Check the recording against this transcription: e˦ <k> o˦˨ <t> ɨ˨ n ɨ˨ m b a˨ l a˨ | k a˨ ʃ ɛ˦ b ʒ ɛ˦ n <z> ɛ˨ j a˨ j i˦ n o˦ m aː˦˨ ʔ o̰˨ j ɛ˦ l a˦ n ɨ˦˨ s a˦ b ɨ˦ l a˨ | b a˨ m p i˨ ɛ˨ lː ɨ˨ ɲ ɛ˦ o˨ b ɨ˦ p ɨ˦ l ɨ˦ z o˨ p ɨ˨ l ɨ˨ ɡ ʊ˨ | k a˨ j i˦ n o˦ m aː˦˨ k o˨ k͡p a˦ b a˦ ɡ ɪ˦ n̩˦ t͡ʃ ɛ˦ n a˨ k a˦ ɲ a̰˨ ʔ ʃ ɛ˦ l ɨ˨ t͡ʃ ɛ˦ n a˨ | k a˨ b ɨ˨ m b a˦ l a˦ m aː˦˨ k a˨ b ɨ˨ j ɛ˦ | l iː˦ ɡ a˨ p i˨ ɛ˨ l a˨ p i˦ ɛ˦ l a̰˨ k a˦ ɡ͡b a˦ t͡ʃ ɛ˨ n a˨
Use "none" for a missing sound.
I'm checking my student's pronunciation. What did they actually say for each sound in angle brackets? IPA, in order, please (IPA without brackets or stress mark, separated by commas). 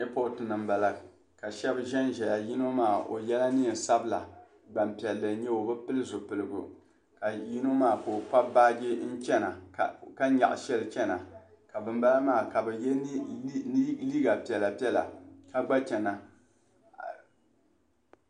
p, t, ʒ